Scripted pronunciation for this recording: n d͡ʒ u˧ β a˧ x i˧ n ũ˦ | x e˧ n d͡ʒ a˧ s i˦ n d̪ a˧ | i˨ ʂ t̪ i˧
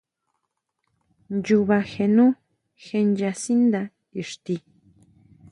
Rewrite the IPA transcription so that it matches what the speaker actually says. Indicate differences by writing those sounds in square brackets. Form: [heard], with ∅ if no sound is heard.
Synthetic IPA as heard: n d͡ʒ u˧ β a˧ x [e˧] n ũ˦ | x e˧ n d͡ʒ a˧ s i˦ n d̪ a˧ | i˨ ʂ t̪ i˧